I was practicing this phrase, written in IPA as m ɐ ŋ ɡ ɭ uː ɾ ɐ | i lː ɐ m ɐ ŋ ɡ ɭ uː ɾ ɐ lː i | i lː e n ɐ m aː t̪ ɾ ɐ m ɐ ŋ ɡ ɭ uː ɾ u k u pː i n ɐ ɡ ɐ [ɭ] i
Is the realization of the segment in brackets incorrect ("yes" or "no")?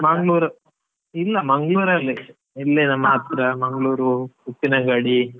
yes